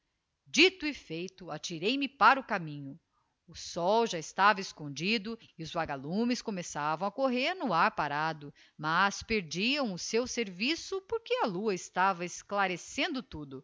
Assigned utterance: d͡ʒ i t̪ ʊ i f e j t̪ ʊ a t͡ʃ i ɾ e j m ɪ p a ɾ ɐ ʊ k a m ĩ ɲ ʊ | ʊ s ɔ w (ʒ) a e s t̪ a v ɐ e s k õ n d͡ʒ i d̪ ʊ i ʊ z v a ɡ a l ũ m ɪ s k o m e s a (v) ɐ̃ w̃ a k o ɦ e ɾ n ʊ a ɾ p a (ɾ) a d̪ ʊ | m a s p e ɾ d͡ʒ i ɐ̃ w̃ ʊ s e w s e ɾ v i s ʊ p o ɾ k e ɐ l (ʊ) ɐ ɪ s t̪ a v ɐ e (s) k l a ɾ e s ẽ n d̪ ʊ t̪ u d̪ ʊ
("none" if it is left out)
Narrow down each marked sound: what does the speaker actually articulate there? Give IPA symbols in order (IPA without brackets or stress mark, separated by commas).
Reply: ʒ, v, ɾ, u, s